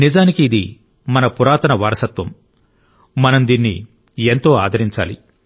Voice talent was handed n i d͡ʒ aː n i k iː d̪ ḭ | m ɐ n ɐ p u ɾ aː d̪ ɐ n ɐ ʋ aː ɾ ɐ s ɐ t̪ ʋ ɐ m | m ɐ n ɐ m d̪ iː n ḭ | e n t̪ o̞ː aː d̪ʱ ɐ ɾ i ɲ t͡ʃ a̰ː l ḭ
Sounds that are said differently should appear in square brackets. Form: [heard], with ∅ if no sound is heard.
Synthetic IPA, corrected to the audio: n i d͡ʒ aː n i k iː d̪ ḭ | m ɐ n ɐ p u ɾ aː [t̪] ɐ n ɐ ʋ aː ɾ ɐ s ɐ t̪ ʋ ɐ m | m ɐ n ɐ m d̪ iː [nː] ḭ | e n t̪ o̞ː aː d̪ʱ ɐ ɾ i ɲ t͡ʃ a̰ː l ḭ